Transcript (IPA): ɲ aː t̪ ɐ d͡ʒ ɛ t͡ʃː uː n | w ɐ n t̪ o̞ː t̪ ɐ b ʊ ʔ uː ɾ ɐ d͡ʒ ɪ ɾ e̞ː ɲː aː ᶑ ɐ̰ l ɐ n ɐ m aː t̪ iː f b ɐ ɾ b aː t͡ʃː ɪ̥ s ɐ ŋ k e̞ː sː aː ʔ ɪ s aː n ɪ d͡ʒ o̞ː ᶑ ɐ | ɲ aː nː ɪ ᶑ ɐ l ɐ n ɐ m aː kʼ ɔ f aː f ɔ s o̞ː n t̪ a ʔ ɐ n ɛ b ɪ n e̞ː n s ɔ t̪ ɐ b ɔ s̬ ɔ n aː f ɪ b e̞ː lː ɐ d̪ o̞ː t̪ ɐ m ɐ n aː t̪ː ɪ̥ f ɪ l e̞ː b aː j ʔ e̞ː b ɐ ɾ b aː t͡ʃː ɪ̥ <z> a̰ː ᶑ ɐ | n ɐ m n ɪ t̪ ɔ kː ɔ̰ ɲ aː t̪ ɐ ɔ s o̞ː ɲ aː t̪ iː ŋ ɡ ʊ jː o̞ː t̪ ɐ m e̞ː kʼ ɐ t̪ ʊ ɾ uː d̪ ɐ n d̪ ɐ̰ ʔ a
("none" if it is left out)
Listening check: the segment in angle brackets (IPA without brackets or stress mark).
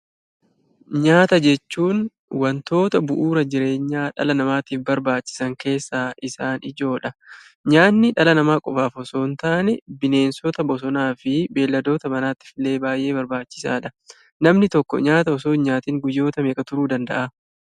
s